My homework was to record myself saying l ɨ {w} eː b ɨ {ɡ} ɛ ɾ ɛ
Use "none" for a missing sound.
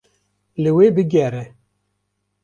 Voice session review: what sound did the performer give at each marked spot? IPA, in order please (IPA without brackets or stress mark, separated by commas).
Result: w, ɡ